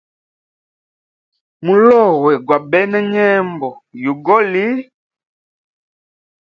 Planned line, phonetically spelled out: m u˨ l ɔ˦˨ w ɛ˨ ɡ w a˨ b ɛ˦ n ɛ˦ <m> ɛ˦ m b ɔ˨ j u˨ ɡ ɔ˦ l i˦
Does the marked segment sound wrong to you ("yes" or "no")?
yes